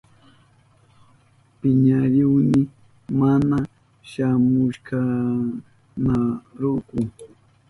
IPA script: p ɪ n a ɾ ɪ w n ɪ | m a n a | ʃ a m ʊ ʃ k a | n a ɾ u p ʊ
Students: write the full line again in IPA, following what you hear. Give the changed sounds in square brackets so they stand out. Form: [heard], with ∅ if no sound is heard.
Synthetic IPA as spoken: p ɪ [ɲ] a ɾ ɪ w n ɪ | m a n a | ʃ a m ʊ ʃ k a | n a ɾ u [k] ʊ